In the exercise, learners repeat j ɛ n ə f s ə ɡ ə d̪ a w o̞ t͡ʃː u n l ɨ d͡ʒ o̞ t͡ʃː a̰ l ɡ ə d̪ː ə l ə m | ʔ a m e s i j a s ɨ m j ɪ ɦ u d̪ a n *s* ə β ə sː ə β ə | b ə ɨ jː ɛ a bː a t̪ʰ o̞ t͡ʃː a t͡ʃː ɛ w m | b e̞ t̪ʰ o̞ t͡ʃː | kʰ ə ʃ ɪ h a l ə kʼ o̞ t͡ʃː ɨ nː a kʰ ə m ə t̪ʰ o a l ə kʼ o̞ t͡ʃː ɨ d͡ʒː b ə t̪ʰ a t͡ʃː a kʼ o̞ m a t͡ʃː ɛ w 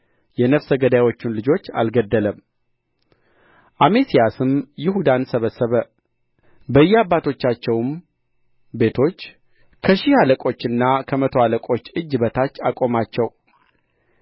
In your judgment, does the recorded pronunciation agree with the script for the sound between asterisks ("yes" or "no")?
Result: yes